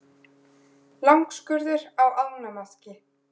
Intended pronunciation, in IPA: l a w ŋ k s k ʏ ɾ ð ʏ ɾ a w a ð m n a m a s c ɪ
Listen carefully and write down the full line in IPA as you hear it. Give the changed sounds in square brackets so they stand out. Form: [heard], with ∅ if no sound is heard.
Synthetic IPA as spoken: l a w ŋ k s k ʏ ɾ ð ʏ ɾ a w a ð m n a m a s c ɪ